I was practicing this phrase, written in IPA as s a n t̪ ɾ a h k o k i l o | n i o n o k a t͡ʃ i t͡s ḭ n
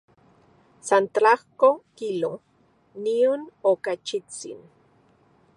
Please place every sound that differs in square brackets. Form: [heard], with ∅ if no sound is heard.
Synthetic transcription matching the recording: s a n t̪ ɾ a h k o k i l o | n i o n o k a t͡ʃ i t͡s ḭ n

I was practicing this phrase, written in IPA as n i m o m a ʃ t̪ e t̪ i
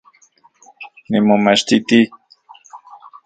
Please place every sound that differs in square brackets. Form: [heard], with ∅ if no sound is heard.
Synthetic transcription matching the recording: n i m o m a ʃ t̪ [i] t̪ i

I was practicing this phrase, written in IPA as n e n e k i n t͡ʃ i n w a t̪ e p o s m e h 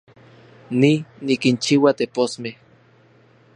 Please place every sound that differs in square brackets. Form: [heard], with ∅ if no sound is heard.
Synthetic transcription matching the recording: n [i] n [i] k i n t͡ʃ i [∅] w a t̪ e p o s m e h

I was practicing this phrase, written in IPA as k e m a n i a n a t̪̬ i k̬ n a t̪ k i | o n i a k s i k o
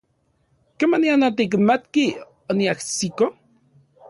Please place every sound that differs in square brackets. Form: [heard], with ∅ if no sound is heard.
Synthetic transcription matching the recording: k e m a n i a n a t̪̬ i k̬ [m] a t̪ k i | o n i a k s i k o

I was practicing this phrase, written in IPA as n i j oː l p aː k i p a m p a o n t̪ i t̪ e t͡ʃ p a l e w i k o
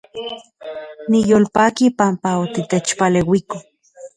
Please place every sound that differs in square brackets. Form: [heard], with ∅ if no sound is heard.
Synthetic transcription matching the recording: n i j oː l p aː k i p a m p a o [∅] t̪ i t̪ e t͡ʃ p a l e w i k o

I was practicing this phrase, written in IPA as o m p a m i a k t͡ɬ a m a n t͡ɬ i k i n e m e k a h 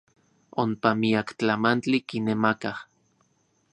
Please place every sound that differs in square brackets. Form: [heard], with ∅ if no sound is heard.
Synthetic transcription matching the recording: o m p a m i a k t͡ɬ a m a n t͡ɬ i k i n e m [a] k a h

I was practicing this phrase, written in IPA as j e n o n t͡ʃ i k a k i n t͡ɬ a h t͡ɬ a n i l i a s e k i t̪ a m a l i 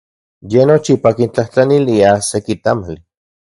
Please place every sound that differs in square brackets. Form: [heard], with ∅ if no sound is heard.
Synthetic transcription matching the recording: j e n o [∅] t͡ʃ i [p] a k i n t͡ɬ a h t͡ɬ a n i l i a s e k i t̪ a m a l i

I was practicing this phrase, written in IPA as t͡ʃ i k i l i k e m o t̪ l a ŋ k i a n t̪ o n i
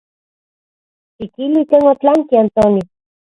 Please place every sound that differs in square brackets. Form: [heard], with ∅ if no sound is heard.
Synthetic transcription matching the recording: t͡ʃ i k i l i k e [ŋ] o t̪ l a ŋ k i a n t̪ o n i

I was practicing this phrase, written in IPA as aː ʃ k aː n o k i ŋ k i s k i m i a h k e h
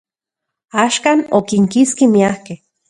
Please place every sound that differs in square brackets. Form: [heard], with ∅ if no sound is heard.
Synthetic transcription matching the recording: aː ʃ k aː n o k i ŋ k i s k i m i a h k e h

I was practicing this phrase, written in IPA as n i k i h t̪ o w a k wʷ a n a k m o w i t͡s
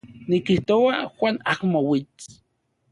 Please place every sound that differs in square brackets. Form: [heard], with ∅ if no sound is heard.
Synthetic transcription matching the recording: n i k i h t̪ o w a [x] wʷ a n a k m o w i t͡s

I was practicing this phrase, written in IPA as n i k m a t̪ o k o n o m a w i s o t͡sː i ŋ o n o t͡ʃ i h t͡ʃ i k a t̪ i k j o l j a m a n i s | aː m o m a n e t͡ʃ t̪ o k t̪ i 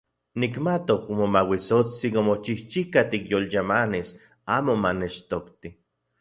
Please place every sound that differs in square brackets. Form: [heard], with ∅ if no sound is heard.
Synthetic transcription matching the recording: n i k m a t̪ o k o [m] o m a w i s o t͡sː i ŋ o [m] o t͡ʃ i h t͡ʃ i k a t̪ i k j o l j a m a n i s | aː m o m a n e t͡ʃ t̪ o k t̪ i

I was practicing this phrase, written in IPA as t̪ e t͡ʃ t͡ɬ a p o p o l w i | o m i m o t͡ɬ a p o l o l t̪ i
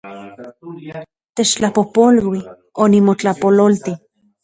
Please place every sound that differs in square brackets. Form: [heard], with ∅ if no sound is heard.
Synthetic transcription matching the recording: t̪ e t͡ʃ t͡ɬ a p o p o l w i | o [n] i m o t͡ɬ a p o l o l t̪ i

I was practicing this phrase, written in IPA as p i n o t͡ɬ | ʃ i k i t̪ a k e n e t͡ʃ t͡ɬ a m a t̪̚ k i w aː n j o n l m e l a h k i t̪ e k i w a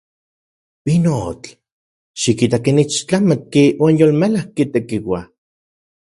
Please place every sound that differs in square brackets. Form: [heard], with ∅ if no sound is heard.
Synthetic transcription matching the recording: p i n o t͡ɬ | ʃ i k i t̪ a k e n [i] t͡ʃ t͡ɬ a m a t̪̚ k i w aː n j o [∅] l m e l a h k i t̪ e k i w a

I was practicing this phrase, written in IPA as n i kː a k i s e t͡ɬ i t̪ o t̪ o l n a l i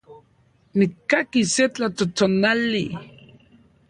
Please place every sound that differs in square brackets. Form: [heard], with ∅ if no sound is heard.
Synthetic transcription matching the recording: n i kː a k i s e t͡ɬ [a] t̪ o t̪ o [∅] n a l i

